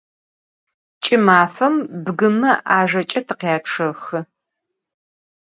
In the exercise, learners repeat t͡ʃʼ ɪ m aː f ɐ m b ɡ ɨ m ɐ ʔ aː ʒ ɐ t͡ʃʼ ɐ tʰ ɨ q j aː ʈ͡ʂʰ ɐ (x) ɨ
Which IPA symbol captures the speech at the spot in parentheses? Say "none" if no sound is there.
x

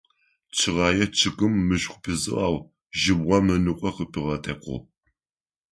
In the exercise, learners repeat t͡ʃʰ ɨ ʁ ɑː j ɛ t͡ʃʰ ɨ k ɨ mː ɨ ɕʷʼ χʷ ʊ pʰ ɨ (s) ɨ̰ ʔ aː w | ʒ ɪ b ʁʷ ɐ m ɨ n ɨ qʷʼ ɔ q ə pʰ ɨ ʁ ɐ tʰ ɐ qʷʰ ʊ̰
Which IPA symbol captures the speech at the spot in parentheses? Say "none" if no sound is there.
z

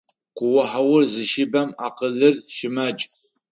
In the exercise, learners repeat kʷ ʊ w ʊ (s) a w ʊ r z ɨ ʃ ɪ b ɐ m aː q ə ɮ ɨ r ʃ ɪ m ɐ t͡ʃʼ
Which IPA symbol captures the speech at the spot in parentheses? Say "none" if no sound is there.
ħ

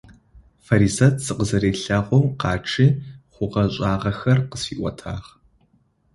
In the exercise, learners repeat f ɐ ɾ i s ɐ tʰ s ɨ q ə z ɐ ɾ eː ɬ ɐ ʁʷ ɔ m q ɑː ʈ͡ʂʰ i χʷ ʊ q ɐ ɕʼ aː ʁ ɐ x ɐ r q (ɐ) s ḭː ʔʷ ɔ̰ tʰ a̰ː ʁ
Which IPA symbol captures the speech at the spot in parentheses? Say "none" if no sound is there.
ə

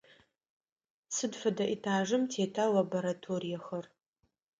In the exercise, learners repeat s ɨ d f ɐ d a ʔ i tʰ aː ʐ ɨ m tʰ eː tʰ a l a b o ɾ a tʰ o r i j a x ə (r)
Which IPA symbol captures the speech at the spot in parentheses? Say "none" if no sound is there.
r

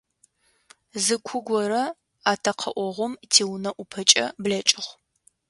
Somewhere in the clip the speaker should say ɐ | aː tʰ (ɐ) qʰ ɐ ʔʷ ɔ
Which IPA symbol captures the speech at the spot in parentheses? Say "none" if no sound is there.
ɐ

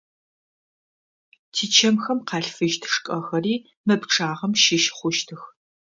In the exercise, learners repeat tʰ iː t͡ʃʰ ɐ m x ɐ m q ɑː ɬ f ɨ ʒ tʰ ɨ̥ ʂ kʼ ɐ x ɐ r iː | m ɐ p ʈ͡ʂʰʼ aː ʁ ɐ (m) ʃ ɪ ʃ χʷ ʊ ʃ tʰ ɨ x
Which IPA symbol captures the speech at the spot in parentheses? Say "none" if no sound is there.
m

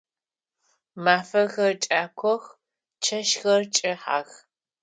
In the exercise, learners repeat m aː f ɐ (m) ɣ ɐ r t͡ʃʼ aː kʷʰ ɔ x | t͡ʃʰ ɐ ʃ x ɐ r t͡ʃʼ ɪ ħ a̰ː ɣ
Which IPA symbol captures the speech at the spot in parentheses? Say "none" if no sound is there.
none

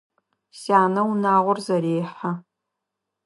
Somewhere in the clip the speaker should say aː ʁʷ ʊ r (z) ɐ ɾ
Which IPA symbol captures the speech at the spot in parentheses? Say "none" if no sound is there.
z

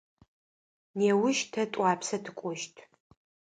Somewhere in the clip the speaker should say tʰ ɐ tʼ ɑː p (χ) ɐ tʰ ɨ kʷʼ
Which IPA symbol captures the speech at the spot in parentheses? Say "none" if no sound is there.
s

